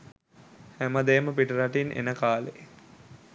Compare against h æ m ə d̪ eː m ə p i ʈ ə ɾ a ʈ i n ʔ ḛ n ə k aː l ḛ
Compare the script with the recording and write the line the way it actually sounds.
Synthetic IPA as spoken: h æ m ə d̪ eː m ə p i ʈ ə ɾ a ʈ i n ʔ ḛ n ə k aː l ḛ